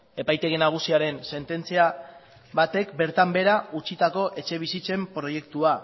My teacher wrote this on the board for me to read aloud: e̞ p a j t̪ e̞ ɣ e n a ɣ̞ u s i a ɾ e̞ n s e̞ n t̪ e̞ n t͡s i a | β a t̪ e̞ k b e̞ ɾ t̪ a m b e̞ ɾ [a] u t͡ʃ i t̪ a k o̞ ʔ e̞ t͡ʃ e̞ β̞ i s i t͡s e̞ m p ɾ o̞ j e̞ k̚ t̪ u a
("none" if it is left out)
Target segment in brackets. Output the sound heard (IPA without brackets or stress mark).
a